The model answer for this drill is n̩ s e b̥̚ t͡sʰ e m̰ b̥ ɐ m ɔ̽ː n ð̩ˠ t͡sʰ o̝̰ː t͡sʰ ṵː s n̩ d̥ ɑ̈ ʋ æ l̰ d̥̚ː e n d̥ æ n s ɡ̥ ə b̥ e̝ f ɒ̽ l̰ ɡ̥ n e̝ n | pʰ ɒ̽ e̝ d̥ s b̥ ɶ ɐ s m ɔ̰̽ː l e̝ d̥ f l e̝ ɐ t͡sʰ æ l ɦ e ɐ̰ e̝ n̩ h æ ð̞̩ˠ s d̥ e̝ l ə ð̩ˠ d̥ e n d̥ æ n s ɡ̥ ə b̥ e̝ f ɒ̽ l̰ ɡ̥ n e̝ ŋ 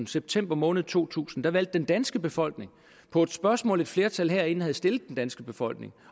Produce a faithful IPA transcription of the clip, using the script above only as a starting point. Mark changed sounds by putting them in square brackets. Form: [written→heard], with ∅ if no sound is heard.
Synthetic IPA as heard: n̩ s e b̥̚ t͡sʰ e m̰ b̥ ɐ m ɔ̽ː n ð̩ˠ t͡sʰ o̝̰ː t͡sʰ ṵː s n̩ d̥ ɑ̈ ʋ æ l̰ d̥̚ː e n d̥ æ n s ɡ̥ ə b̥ e̝ f ɒ̽ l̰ ɡ̥ n e̝ [n→ŋ] | pʰ ɒ̽ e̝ d̥ s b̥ ɶ ɐ s m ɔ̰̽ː l e̝ d̥ f l e̝ ɐ t͡sʰ æ l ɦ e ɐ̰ e̝ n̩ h æ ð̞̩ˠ s d̥ e̝ l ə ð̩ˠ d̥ e n d̥ æ n s ɡ̥ ə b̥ e̝ f ɒ̽ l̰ ɡ̥ n e̝ ŋ